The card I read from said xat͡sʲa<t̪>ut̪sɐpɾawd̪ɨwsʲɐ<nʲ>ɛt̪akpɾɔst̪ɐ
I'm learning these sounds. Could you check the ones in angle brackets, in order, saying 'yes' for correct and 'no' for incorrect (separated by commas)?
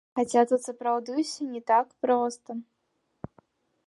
yes, yes